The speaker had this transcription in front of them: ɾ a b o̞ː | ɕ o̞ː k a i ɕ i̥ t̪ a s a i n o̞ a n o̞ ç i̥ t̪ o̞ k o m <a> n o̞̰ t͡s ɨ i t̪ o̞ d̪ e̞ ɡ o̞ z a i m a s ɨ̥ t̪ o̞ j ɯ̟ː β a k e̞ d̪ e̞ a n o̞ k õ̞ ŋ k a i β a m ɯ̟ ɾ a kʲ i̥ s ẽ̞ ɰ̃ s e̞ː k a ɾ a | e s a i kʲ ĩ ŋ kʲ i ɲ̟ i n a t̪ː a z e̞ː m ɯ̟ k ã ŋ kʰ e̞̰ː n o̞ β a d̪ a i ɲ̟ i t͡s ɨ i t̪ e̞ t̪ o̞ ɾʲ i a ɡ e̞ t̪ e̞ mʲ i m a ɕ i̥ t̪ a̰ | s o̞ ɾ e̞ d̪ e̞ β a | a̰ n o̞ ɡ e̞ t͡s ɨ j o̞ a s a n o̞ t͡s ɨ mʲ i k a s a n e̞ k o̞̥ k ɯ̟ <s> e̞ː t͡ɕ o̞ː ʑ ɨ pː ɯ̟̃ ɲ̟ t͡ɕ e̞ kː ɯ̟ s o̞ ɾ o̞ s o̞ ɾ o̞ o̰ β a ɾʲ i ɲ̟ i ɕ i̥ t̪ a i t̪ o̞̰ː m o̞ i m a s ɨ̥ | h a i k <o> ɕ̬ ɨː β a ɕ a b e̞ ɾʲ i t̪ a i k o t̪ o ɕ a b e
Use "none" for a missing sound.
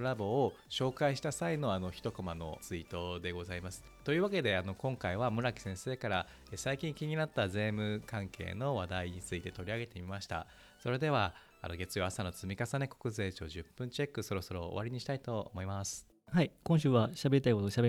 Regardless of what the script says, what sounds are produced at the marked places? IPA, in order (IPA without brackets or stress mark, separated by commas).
a, z, õ